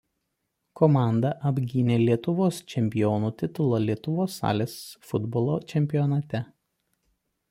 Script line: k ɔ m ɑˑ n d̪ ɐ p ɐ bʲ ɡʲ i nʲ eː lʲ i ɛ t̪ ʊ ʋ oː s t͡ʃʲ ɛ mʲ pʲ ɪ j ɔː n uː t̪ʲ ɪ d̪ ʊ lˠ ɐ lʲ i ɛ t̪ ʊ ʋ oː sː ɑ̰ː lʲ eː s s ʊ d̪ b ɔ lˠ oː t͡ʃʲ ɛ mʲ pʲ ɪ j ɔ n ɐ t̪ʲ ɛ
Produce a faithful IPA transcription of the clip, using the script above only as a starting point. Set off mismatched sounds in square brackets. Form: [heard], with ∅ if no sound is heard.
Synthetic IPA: k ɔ m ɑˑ n d̪ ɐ [ʔ] ɐ bʲ ɡʲ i nʲ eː lʲ i ɛ t̪ ʊ ʋ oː s t͡ʃʲ ɛ mʲ pʲ ɪ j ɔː n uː t̪ʲ ɪ [t̪] ʊ lˠ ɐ lʲ i ɛ t̪ ʊ ʋ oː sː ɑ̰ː lʲ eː s [f] ʊ d̪ b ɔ lˠ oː t͡ʃʲ ɛ mʲ pʲ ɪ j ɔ n ɐ t̪ʲ ɛ

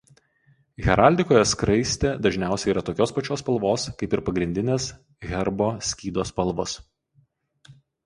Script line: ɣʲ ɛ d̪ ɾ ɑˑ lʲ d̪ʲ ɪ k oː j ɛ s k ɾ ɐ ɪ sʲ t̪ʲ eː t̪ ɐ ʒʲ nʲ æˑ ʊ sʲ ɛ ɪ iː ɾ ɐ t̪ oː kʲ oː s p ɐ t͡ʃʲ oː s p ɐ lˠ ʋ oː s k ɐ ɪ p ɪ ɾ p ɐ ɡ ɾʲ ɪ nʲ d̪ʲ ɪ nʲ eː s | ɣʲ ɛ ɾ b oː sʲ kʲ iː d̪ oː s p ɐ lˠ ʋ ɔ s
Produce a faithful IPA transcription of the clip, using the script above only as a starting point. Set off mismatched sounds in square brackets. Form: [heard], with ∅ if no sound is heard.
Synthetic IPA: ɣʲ ɛ [∅] ɾ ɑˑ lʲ d̪ʲ ɪ k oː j ɛ s k ɾ ɐ ɪ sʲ t̪ʲ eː [d̪] ɐ ʒʲ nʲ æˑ ʊ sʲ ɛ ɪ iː ɾ ɐ t̪ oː kʲ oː s p ɐ t͡ʃʲ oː s p ɐ lˠ ʋ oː s k ɐ ɪ p ɪ ɾ p ɐ ɡ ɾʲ ɪ nʲ d̪ʲ ɪ nʲ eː s | ɣʲ ɛ ɾ b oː sʲ kʲ iː d̪ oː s p ɐ lˠ ʋ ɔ s

